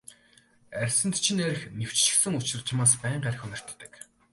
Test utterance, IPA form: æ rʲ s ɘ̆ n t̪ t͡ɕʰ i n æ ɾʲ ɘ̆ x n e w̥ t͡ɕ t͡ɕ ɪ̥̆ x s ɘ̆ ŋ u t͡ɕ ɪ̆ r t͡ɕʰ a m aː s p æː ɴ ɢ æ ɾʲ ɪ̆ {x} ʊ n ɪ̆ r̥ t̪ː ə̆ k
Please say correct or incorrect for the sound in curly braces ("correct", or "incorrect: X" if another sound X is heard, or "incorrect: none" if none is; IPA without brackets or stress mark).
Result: correct